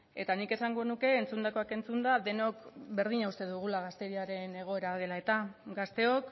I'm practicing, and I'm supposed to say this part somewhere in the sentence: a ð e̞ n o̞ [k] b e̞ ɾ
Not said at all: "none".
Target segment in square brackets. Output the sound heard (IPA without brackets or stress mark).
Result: k